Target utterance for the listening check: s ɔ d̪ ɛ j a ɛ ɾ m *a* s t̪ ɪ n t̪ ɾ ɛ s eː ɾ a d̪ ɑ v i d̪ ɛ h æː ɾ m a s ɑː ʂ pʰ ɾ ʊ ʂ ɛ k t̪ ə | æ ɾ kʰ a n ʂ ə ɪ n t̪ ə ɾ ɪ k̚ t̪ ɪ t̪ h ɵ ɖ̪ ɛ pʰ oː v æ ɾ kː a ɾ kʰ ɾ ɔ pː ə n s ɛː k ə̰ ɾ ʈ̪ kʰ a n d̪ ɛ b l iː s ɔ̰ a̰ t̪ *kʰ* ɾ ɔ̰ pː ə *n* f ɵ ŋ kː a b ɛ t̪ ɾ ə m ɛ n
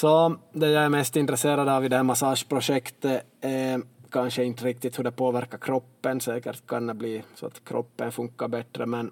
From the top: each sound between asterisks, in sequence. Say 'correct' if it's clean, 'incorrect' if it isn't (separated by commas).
incorrect, correct, correct